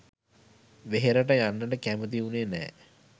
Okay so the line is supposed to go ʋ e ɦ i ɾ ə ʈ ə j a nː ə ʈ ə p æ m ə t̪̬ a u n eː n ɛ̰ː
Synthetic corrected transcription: ʋ e ɦ e ɾ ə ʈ ə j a nː ə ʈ ə k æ m ə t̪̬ i u n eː n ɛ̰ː